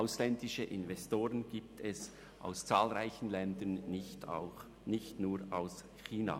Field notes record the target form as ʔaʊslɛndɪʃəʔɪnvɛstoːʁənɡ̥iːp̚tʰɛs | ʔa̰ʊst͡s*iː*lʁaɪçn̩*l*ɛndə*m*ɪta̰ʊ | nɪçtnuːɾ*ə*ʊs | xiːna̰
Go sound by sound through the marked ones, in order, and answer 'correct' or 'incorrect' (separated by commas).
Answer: incorrect, correct, incorrect, incorrect